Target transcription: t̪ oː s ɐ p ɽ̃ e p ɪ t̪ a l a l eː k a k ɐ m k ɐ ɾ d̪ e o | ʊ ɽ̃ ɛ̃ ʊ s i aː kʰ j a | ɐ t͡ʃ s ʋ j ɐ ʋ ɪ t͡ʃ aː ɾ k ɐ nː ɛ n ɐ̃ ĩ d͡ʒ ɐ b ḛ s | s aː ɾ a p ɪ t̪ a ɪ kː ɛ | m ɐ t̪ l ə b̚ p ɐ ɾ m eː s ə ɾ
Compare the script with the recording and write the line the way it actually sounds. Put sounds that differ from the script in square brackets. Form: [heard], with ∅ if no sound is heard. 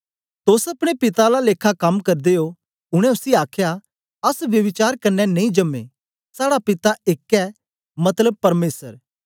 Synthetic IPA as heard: t̪ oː s ɐ p ɽ̃ e p ɪ t̪ a l a l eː [kʰ] a k ɐ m k ɐ ɾ d̪ e o | ʊ ɽ̃ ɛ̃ ʊ s i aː kʰ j a | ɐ [∅] s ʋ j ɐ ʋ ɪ t͡ʃ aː ɾ k ɐ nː ɛ n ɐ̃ ĩ d͡ʒ ɐ [m] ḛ [∅] | s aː [ɽ] a p ɪ t̪ a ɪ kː ɛ | m ɐ t̪ l ə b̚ p ɐ ɾ m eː s ə ɾ